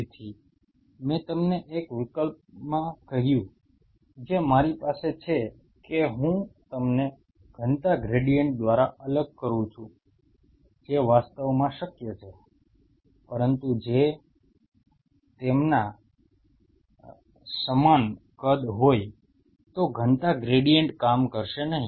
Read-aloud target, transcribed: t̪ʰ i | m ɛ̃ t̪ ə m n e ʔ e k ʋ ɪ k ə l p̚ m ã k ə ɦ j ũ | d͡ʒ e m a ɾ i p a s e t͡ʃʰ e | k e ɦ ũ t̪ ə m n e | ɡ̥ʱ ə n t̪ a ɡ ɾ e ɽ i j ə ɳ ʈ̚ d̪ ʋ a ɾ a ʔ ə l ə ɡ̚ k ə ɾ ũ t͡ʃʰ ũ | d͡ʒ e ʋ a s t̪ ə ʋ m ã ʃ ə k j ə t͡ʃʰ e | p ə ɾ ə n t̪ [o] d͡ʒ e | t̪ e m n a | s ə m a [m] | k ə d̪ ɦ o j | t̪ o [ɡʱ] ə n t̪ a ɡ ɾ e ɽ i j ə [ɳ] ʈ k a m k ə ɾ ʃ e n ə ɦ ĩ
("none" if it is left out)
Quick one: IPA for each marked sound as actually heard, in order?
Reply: u, n, ɡʱ, ɳ

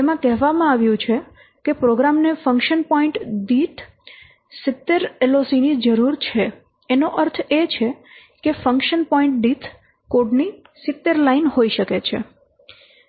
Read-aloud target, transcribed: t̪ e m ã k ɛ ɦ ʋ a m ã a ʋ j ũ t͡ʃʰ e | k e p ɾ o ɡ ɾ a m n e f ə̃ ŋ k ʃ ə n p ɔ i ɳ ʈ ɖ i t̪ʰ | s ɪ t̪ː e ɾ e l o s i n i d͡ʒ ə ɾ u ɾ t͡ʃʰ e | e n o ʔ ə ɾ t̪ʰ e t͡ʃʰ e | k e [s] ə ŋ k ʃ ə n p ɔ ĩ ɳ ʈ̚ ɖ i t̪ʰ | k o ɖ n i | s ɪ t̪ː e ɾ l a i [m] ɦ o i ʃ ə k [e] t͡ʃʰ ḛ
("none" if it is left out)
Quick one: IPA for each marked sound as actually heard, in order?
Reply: f, n, e

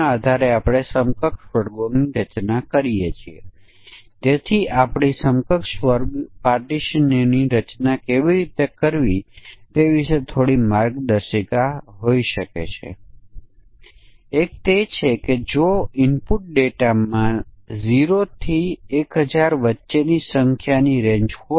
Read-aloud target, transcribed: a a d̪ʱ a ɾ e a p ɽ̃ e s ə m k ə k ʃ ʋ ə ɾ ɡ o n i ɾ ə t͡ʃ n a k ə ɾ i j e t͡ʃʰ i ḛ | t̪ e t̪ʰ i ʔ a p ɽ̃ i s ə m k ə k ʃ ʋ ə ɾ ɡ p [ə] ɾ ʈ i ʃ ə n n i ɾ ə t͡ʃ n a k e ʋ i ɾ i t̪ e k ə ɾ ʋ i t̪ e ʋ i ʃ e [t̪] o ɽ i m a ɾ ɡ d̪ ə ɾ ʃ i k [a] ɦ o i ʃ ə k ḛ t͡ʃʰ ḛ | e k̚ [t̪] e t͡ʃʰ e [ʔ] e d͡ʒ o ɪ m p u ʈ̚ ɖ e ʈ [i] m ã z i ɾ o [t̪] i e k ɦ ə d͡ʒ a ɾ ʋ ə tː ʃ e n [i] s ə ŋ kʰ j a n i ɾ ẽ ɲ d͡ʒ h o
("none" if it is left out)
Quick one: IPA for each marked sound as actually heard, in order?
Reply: a, t̪ʰ, a, t̪, k, a, t̪ʰ, i

